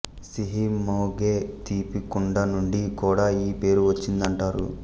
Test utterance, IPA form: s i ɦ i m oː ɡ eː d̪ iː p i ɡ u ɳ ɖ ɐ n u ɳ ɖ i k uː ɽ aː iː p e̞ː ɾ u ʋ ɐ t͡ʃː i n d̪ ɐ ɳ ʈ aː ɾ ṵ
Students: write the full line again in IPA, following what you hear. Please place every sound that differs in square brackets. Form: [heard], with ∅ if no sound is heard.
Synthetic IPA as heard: s i ɦ i m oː ɡ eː [t̪] iː p i [k] u ɳ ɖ ɐ n u ɳ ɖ i k uː ɽ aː iː p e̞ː ɾ u ʋ ɐ t͡ʃː i n d̪ ɐ ɳ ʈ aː ɾ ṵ